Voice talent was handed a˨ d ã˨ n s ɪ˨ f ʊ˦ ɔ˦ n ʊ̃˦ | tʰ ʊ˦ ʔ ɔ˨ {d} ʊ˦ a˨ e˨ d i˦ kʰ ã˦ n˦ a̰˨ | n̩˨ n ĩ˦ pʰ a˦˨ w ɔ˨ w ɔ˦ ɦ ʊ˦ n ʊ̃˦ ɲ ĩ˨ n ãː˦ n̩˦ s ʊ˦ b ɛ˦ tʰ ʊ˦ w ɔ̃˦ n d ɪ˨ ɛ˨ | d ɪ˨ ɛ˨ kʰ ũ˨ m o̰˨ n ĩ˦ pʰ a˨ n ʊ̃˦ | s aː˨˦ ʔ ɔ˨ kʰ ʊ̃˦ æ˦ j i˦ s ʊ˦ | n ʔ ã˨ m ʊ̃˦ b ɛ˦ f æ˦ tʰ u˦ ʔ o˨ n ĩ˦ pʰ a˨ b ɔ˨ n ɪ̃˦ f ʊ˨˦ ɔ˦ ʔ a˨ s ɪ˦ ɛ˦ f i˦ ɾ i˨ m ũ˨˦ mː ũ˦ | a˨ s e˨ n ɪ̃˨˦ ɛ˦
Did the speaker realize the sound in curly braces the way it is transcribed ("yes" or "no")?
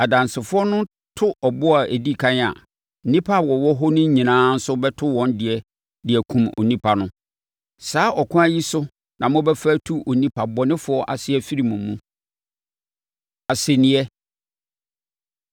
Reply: no